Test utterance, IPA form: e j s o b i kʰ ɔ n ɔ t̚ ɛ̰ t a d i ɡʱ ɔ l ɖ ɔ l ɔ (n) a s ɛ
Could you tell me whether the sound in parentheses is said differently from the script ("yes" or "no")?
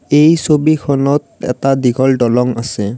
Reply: yes